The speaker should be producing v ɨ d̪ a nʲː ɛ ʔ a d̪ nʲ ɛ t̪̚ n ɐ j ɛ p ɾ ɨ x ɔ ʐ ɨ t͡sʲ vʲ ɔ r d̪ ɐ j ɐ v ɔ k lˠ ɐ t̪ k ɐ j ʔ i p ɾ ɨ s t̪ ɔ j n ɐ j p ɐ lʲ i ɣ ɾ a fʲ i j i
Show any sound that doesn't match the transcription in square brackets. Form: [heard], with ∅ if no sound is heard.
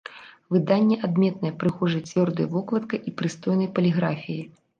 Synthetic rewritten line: v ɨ d̪ a nʲː ɛ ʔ a d̪ [mʲ] ɛ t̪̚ n ɐ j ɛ p ɾ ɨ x ɔ ʐ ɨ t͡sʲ vʲ ɔ r d̪ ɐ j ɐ v ɔ k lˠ ɐ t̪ k ɐ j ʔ i p ɾ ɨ s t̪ ɔ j n ɐ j p ɐ lʲ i ɣ ɾ a fʲ i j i